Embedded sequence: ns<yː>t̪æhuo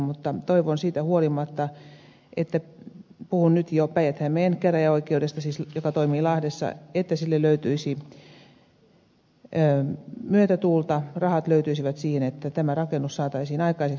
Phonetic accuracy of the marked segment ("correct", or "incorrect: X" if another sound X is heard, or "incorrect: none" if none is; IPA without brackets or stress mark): incorrect: iː